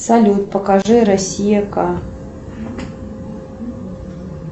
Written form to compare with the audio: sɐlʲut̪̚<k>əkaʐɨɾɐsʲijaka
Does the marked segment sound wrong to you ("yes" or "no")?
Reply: yes